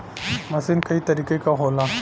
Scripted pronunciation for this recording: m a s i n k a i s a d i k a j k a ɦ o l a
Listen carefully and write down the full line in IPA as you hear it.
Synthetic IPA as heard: m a s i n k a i t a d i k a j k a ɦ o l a